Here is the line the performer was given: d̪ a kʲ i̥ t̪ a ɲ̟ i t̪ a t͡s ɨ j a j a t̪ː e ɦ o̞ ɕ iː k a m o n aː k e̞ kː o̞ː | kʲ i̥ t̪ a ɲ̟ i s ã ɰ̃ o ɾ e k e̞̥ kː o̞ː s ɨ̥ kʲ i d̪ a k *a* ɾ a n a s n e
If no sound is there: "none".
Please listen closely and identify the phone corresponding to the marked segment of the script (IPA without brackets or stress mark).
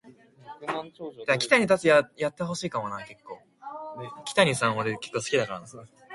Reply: a